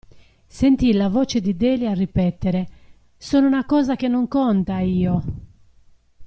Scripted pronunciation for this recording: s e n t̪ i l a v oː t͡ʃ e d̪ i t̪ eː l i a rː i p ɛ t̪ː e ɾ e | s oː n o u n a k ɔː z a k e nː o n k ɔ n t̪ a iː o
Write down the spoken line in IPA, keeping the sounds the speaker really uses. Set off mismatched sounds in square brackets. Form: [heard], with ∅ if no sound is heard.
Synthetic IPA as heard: s e n t̪ i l a v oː t͡ʃ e d̪ i [d̪] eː l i a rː i p ɛ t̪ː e ɾ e | s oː n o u n a k ɔː z a k e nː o [ŋ] k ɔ n t̪ a iː o

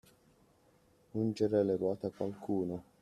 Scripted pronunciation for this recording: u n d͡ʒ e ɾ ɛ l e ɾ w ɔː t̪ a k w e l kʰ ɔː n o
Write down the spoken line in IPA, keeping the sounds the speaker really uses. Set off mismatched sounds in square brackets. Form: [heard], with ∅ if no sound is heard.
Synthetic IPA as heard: u n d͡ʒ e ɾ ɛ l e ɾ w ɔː t̪ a k w [a] l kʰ [uː] n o

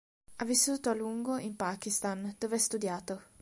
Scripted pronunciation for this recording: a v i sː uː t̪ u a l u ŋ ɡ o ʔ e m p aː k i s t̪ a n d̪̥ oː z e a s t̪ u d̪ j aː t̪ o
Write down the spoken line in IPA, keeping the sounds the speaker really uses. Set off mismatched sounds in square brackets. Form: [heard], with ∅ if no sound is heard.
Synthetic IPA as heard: a v i sː uː t̪ [o] a l u ŋ ɡ o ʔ [i] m p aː k i s t̪ a n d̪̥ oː [v] e a s t̪ u d̪ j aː t̪ o

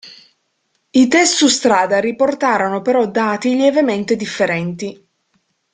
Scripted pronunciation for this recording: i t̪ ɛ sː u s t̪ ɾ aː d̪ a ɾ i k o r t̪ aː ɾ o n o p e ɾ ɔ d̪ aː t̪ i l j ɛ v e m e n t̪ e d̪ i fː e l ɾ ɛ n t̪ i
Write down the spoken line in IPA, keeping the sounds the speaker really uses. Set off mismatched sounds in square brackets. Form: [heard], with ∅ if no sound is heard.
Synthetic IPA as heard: i t̪ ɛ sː u s t̪ ɾ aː d̪ a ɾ i [p] o r t̪ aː ɾ o n o p e ɾ ɔ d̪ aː t̪ i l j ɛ v e m e n t̪ e d̪ i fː e [∅] ɾ ɛ n t̪ i

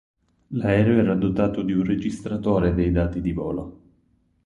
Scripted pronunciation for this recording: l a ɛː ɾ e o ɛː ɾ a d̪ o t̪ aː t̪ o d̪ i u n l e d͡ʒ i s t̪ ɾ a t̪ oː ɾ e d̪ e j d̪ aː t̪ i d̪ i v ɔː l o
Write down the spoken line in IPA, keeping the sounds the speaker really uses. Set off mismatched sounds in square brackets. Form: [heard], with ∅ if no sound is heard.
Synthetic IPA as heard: l a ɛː ɾ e o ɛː ɾ a d̪ o t̪ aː t̪ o d̪ i u n [r] e d͡ʒ i s t̪ ɾ a t̪ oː ɾ e d̪ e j d̪ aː t̪ i d̪ i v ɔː l o

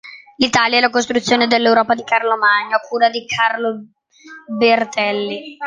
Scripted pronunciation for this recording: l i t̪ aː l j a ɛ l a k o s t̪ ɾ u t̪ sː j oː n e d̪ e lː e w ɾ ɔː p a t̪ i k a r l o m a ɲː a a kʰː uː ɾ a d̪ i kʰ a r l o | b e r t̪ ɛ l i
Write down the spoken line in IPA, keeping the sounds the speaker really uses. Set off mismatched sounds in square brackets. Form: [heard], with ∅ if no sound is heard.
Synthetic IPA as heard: l i t̪ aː l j a ɛ l a k o s t̪ ɾ u t̪ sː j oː n e d̪ e lː e w ɾ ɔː p a [d̪] i k a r l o m a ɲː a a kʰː uː ɾ a d̪ i kʰ a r l o | b e r t̪ ɛ [lː] i

